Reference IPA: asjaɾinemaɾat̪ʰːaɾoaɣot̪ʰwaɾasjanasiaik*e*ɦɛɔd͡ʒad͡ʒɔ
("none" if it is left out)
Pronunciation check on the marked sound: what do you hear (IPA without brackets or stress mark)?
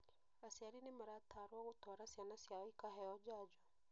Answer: a